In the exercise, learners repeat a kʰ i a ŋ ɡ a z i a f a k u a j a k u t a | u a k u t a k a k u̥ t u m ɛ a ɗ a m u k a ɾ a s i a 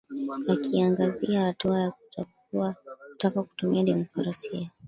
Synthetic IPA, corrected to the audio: a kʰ i a ŋ ɡ a z i a h a t u a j a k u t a | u a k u t a k a k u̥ t u m i a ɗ i m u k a ɾ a s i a